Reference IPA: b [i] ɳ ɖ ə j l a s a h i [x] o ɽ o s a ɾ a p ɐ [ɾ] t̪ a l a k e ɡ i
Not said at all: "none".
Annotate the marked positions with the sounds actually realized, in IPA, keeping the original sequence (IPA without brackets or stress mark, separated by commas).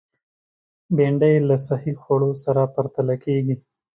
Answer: e, x, ɾ